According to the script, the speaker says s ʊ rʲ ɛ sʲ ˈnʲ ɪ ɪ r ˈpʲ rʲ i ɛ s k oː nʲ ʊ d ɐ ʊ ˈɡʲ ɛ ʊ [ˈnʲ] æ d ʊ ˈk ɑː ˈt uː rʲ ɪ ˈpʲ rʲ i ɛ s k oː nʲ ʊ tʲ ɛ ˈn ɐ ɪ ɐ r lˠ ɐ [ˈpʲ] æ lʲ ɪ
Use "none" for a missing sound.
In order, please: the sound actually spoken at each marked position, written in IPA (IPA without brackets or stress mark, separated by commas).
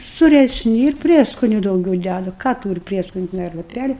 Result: dʲ, pʲ